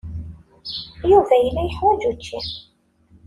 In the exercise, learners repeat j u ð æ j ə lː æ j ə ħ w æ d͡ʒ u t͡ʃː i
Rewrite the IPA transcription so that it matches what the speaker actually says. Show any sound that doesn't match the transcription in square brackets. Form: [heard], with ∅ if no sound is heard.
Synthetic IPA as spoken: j u [v] æ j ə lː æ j ə ħ w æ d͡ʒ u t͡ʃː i